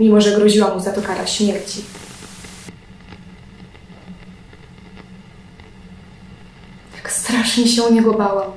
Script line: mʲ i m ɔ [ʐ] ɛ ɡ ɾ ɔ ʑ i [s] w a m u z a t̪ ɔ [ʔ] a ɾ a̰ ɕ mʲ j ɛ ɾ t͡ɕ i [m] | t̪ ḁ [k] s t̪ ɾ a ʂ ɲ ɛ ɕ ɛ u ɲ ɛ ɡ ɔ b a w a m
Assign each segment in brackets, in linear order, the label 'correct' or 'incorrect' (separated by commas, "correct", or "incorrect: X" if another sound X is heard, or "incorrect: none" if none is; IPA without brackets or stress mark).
correct, incorrect: none, incorrect: k, incorrect: none, correct